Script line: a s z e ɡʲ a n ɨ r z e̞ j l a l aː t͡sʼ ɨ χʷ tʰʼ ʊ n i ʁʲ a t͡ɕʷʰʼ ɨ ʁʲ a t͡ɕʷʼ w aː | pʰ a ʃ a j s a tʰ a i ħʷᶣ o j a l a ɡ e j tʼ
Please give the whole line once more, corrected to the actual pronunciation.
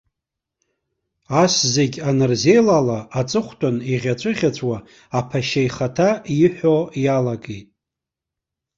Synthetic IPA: a s z e ɡʲ a n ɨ r z e̞ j l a l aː t͡sʼ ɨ χʷ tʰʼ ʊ n i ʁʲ a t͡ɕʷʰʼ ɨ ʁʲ a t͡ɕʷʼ w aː | pʰ a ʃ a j χ a tʰ a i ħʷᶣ o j a l a ɡ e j tʼ